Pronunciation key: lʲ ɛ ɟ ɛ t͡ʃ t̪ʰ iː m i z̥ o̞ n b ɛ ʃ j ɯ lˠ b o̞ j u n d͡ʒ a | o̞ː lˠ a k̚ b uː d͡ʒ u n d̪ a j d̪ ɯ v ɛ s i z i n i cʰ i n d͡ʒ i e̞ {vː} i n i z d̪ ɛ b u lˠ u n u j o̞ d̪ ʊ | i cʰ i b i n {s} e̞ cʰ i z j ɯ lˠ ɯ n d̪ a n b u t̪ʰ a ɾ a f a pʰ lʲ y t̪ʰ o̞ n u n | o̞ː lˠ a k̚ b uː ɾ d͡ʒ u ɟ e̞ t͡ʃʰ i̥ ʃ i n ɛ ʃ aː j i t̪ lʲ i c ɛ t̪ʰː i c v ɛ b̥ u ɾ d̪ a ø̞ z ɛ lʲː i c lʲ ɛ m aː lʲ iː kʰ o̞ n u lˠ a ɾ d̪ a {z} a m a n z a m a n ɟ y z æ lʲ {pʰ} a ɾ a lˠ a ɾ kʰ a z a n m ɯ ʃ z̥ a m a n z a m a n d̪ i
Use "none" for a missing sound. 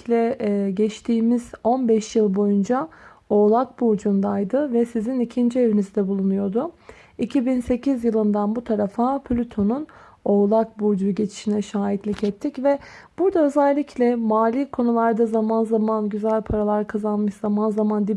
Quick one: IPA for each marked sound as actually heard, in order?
v, s, z, pʰ

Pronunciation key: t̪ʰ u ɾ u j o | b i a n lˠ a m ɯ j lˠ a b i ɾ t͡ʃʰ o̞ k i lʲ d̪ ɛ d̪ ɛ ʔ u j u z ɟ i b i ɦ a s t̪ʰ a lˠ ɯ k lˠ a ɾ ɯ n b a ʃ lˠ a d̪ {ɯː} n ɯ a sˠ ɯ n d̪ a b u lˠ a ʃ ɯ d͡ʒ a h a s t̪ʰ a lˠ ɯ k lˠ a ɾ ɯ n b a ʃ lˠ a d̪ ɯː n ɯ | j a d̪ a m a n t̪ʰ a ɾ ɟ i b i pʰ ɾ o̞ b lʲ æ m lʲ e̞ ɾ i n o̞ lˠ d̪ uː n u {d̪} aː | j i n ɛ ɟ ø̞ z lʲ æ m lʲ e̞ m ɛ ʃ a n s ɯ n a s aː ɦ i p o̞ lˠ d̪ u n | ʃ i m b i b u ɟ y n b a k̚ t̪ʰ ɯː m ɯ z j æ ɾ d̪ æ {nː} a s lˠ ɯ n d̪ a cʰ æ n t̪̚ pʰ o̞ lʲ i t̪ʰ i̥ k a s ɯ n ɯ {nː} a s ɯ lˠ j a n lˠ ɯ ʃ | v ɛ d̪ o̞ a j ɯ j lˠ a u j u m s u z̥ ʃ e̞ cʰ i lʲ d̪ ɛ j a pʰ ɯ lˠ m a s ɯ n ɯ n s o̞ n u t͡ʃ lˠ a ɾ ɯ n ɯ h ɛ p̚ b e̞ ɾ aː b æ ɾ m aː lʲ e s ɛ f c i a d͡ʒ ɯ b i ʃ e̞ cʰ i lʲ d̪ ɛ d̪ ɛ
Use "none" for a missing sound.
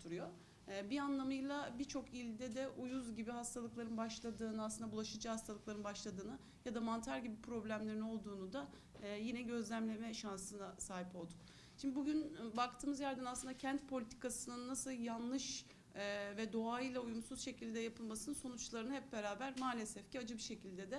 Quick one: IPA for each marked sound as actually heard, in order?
ɯː, d̪, n, nː

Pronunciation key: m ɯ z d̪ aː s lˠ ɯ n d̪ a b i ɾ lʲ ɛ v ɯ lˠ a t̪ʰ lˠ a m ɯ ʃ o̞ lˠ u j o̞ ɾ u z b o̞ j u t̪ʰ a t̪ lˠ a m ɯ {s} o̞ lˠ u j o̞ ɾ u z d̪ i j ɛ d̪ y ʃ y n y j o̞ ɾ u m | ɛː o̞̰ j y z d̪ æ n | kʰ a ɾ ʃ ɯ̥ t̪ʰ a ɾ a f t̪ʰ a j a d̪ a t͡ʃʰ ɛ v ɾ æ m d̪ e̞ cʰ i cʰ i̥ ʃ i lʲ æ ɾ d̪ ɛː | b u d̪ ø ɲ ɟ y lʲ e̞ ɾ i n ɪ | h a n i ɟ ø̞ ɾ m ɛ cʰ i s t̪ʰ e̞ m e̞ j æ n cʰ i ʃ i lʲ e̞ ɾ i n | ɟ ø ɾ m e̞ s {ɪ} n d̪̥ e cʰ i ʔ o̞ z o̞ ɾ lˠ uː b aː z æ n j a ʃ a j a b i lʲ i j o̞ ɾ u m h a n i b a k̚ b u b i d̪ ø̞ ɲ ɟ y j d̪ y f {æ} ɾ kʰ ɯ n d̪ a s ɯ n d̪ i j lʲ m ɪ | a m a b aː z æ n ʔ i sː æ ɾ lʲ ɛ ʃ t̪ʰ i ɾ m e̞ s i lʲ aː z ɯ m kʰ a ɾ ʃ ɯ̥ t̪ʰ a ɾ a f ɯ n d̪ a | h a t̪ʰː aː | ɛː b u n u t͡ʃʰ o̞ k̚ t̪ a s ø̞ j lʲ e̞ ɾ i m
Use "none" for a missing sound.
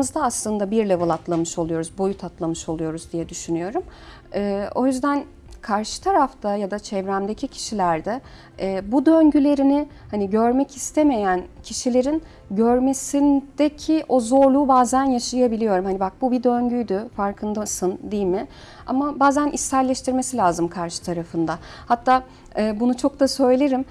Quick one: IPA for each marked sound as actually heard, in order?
ʃ, i, a

